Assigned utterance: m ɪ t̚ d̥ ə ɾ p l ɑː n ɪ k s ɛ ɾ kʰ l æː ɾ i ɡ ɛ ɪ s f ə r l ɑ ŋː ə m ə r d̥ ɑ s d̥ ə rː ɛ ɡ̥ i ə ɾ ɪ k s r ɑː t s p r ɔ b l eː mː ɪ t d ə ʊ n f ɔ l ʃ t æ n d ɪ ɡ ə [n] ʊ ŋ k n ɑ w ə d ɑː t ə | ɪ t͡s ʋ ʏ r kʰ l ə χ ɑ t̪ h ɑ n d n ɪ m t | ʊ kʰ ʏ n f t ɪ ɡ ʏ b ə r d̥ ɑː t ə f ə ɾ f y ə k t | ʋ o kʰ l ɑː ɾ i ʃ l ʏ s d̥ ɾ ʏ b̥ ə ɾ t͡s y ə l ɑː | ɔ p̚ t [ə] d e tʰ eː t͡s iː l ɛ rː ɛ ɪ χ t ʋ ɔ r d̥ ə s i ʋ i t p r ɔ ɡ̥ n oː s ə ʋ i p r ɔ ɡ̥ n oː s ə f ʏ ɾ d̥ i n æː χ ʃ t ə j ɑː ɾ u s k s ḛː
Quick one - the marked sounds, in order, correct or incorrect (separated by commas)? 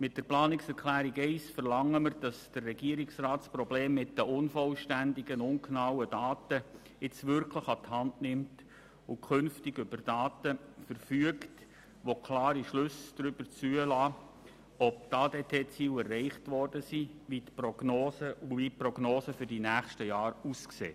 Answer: correct, incorrect